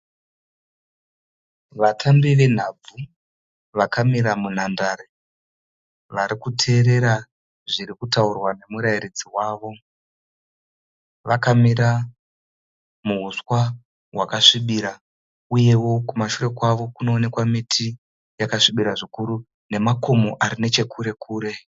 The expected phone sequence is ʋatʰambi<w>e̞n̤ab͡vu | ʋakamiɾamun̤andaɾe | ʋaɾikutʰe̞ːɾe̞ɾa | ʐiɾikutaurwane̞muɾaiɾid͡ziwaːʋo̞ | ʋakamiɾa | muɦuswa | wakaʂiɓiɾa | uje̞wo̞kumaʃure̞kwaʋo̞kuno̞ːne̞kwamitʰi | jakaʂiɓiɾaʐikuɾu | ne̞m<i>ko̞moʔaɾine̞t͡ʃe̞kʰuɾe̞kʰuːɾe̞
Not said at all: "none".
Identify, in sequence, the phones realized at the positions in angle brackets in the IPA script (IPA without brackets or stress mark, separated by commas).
ʋ, a